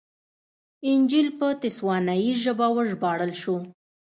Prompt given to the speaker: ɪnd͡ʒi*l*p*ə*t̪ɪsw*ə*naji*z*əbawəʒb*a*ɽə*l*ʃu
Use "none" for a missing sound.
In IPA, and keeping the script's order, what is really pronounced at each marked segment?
l, ə, ɑ, ʒ, ɑ, l

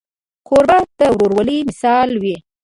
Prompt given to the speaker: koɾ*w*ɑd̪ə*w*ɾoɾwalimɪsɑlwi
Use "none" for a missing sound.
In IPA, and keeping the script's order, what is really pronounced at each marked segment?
b, w

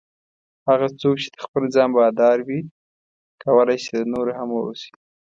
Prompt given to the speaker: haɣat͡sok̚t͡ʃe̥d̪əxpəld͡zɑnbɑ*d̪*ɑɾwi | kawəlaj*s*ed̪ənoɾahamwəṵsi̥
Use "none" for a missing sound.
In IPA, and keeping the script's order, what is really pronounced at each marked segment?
d̪, s

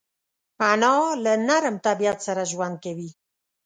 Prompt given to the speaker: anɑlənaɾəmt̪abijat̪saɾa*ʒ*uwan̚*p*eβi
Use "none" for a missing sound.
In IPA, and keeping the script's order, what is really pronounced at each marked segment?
ʒ, k

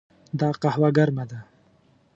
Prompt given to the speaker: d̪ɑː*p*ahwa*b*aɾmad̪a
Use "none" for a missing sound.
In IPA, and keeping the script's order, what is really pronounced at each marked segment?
q, ɡ

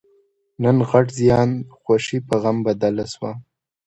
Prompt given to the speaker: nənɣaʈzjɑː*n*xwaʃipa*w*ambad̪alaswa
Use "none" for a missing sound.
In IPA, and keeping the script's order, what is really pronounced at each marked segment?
n, ɣ

